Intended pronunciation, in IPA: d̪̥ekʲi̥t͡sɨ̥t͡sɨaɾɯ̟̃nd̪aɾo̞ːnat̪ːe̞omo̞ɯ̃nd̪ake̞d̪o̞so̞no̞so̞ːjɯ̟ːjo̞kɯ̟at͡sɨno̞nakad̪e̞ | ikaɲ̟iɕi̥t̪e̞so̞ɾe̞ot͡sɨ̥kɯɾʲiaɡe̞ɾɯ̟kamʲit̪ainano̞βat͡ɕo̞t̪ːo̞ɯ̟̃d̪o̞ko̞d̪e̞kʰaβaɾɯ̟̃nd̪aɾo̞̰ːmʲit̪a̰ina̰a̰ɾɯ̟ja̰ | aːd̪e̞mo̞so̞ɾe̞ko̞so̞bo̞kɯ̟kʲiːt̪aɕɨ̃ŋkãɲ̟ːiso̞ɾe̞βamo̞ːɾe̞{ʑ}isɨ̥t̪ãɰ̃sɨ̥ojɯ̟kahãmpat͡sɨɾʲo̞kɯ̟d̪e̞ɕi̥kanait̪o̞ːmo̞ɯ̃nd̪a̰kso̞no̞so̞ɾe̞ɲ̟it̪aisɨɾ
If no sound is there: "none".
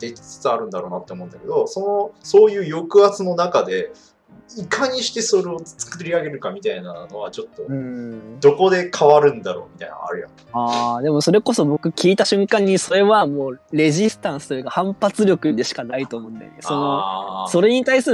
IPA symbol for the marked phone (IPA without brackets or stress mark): ʑ